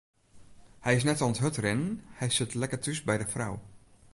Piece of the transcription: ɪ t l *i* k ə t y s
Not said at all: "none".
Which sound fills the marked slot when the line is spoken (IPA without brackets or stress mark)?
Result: ɛ